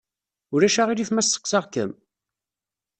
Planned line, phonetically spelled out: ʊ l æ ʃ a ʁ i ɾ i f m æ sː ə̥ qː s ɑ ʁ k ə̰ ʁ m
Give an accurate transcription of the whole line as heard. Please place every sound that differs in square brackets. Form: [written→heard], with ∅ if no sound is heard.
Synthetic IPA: ʊ [l→ɾ] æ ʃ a ʁ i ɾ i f m æ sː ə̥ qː s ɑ ʁ k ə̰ [ʁ→∅] m